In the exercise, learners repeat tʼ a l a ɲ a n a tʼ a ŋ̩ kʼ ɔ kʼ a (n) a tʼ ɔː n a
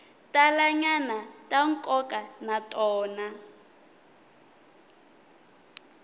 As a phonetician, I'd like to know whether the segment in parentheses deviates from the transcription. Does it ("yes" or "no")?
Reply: no